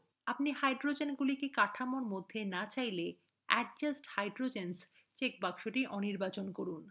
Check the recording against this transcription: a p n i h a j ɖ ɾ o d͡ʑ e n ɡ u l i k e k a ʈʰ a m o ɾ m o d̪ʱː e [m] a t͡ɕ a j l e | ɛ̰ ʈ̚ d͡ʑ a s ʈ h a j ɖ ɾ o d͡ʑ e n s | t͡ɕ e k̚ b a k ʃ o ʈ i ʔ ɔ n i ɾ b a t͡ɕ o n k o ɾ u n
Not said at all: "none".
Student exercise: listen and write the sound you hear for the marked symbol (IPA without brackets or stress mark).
n